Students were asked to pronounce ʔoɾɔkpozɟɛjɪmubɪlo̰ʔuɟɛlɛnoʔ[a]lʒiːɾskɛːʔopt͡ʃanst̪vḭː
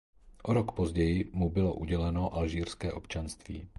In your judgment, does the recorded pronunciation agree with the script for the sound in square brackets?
yes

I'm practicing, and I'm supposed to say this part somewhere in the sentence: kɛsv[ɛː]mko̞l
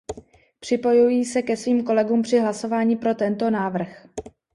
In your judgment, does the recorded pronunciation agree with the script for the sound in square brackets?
no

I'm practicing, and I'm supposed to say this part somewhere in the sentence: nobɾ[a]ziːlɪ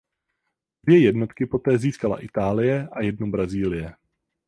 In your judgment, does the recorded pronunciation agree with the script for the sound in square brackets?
yes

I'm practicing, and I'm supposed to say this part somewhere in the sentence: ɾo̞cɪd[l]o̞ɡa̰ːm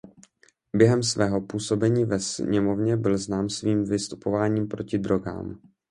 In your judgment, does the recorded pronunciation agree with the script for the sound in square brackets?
no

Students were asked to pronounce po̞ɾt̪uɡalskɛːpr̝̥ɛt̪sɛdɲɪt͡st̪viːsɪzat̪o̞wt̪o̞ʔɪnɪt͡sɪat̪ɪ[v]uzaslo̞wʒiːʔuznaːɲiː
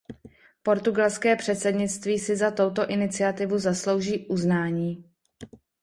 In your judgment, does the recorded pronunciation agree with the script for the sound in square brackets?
yes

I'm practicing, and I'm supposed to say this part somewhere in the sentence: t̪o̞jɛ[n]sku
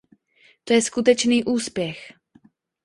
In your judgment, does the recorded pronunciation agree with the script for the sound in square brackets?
no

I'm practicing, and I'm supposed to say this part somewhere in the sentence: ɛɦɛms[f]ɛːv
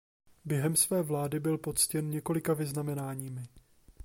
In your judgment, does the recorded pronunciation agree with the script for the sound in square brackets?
no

